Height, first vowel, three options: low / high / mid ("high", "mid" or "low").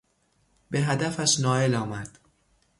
mid